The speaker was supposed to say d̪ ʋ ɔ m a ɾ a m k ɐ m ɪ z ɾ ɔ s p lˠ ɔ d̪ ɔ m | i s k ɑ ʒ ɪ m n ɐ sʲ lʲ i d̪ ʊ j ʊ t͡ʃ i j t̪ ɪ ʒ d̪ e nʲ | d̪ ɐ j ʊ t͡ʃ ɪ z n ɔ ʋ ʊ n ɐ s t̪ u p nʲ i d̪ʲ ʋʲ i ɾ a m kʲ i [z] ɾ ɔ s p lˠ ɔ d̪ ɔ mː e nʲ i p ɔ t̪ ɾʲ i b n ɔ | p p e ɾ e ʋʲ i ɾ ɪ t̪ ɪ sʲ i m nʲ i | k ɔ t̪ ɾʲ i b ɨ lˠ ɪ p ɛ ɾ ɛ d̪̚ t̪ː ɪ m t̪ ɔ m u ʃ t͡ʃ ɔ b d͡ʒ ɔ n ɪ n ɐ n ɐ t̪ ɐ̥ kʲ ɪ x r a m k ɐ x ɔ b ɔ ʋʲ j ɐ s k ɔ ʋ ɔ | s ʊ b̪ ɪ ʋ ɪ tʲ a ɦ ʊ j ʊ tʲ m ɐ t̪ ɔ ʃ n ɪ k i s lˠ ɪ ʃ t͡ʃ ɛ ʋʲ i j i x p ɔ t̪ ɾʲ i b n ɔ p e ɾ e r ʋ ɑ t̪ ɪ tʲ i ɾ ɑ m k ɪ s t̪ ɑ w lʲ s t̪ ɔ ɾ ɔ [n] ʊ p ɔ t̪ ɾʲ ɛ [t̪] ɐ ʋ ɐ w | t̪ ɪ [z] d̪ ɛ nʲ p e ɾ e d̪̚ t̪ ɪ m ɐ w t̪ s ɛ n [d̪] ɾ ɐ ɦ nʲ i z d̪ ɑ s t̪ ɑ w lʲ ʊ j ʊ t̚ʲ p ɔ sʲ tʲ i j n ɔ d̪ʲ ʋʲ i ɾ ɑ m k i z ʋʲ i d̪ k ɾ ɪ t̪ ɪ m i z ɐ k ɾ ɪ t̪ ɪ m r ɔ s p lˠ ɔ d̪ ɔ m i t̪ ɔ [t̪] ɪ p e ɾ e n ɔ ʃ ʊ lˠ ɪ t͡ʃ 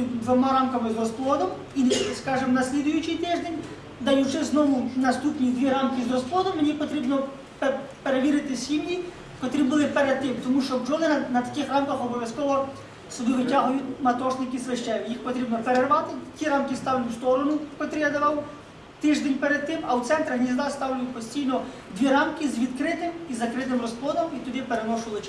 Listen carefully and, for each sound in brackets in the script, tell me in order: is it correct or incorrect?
correct, correct, incorrect: d̪, incorrect: ʒ, incorrect: t̪, incorrect: d̪

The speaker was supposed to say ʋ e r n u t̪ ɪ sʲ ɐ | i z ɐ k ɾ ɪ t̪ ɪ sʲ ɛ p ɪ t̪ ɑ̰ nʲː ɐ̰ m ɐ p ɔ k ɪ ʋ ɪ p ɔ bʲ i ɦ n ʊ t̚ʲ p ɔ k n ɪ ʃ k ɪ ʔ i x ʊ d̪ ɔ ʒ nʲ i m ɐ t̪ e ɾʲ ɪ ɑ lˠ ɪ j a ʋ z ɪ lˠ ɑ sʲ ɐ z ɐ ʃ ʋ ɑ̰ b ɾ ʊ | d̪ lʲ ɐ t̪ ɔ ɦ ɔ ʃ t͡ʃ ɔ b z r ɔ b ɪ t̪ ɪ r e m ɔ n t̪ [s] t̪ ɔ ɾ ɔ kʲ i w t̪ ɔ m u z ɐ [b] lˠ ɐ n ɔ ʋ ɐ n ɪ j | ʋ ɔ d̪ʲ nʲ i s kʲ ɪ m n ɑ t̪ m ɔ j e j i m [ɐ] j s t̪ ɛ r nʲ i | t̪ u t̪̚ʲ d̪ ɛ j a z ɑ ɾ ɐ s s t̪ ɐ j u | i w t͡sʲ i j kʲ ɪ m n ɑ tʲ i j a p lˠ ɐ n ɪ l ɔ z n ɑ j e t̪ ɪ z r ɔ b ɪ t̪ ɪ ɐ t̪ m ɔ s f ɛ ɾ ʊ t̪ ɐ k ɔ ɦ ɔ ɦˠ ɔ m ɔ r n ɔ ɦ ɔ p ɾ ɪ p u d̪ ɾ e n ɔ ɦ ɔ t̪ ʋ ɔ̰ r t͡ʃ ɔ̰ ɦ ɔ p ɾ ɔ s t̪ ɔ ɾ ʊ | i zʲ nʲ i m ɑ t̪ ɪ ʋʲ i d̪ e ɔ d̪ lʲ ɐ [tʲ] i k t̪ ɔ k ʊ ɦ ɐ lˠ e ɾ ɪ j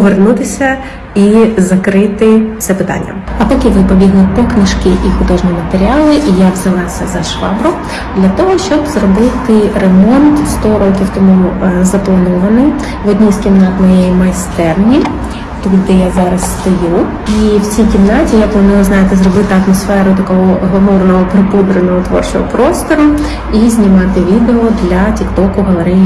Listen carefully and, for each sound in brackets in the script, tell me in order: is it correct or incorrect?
correct, incorrect: p, correct, correct

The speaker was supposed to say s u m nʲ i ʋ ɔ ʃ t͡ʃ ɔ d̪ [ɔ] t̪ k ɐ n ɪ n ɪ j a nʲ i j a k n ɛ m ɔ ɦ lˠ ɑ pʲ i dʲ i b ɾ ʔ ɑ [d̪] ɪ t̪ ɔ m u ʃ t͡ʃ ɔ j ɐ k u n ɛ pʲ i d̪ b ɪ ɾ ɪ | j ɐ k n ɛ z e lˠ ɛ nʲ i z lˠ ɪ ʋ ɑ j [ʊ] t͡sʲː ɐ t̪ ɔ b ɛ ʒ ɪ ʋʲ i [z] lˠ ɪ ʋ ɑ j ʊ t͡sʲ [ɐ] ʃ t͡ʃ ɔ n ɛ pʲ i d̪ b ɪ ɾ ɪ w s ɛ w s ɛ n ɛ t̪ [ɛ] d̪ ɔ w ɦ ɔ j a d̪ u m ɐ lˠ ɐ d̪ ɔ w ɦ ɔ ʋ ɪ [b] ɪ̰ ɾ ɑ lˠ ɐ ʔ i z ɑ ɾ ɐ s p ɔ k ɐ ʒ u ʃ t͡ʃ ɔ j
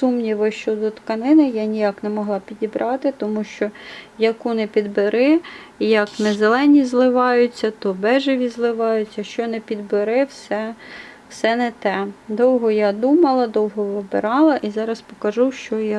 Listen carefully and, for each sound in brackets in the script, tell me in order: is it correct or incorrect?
correct, incorrect: t̪, correct, correct, correct, correct, correct

